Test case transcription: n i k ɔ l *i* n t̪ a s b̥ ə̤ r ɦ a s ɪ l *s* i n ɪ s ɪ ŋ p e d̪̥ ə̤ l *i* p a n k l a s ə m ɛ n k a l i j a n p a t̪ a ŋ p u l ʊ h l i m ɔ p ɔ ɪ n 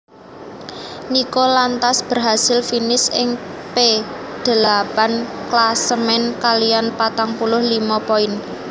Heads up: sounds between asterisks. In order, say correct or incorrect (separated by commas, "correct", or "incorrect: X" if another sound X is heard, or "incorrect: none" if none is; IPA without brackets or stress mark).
incorrect: a, incorrect: f, incorrect: a